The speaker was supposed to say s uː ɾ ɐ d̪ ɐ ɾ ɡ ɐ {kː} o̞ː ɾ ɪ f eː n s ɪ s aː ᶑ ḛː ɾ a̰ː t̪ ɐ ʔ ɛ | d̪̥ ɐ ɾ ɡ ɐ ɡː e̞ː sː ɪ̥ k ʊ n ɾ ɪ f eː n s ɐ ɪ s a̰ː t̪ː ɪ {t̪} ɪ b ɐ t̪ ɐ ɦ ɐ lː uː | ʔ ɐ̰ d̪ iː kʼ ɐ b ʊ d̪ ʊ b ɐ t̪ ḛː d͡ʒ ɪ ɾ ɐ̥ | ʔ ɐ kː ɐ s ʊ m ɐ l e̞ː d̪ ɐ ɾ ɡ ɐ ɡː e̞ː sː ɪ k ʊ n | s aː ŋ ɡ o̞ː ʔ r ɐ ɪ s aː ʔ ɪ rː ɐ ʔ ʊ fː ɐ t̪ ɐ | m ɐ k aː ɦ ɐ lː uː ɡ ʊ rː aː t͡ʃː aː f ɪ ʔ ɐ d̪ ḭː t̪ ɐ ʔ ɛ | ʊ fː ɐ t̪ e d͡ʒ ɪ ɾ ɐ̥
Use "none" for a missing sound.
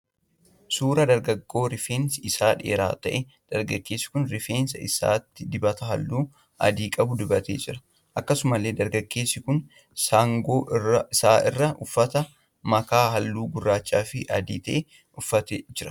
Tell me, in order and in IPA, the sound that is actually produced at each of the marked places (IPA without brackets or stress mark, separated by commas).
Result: ɡː, d̪